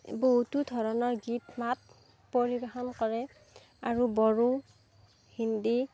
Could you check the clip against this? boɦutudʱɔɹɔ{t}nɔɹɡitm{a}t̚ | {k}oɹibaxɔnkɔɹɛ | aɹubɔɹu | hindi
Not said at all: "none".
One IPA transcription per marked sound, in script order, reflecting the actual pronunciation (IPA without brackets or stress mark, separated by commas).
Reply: none, a, p